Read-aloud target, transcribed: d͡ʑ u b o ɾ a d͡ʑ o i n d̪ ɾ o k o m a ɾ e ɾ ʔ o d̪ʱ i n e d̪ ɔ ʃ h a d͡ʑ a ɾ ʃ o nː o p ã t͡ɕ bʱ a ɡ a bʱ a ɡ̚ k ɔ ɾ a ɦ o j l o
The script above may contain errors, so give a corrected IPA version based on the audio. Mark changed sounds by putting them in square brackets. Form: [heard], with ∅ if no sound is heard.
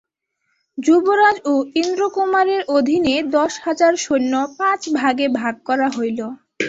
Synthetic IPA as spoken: d͡ʑ u b o ɾ a d͡ʑ o i n d̪ ɾ o k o m a ɾ e ɾ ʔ o d̪ʱ i n e d̪ ɔ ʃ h a d͡ʑ a ɾ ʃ o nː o p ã t͡ɕ bʱ a ɡ [e] bʱ a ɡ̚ k ɔ ɾ a ɦ o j l o